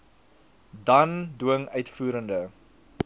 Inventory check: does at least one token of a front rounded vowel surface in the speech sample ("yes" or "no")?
yes